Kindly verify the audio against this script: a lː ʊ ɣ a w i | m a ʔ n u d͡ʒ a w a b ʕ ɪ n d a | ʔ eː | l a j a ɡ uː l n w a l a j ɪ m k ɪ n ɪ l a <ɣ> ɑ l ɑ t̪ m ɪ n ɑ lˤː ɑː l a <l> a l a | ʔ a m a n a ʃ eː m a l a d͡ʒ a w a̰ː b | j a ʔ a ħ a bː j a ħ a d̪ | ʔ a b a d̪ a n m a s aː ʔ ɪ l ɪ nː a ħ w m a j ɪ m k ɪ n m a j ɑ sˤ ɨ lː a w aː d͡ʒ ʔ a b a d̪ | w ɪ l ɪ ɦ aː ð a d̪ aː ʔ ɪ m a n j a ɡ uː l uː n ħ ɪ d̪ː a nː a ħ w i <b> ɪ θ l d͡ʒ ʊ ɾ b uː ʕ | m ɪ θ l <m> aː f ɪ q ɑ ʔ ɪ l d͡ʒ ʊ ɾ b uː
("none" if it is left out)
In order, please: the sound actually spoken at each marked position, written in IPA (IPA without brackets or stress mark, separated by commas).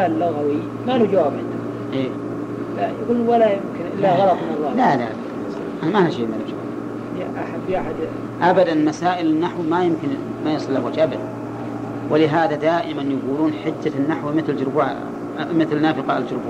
ɣ, l, m, n